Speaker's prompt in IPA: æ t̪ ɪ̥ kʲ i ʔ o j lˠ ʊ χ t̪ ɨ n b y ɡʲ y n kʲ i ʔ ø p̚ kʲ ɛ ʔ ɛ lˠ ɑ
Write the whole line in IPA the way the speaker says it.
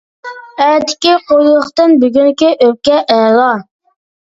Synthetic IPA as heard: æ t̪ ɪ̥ kʲ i q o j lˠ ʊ χ t̪ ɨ n b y ɡʲ y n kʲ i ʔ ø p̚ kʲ ɛ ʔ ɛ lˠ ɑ